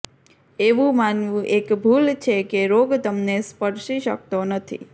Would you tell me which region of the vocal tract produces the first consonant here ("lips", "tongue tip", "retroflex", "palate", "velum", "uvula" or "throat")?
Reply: lips